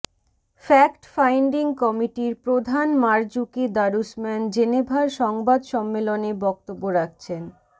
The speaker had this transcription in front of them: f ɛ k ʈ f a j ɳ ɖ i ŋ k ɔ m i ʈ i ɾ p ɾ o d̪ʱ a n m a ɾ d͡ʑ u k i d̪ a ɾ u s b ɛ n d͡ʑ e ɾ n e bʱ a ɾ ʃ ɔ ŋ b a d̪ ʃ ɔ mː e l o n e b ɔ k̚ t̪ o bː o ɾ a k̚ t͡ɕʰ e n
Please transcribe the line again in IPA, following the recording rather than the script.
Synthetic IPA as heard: f ɛ k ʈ f a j ɳ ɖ i ŋ k ɔ m i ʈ i ɾ p ɾ o d̪ʱ a n m a ɾ d͡ʑ u k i d̪ a ɾ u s m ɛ n d͡ʑ e n e bʱ a ɾ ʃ ɔ ŋ b a d̪ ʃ ɔ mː e l o n e b ɔ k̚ t̪ o bː o ɾ a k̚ t͡ɕʰ e n